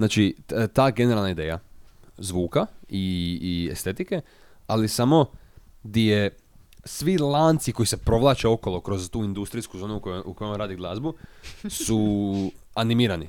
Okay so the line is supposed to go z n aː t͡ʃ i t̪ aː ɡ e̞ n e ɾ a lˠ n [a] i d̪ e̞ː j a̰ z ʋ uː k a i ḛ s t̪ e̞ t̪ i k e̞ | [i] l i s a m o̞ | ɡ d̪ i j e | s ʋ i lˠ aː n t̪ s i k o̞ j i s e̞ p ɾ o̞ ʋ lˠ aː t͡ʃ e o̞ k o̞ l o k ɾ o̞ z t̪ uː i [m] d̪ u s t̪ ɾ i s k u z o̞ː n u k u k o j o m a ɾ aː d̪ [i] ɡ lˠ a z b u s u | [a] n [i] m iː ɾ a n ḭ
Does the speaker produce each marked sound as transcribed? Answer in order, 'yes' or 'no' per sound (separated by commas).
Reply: yes, no, no, yes, yes, yes